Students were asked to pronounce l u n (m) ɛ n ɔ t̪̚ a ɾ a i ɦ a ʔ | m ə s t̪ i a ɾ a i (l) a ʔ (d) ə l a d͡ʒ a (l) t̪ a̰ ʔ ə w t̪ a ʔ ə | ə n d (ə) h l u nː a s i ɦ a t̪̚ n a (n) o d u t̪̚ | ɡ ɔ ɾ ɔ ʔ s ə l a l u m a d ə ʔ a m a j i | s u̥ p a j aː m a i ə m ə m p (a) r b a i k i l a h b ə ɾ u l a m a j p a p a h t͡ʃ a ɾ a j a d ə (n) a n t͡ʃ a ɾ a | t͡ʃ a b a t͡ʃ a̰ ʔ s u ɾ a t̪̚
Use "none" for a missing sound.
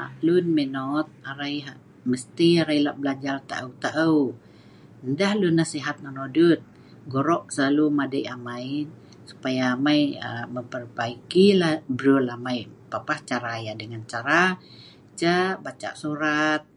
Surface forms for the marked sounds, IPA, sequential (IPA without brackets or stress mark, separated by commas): m, l, b, r, a, n, ə, ŋ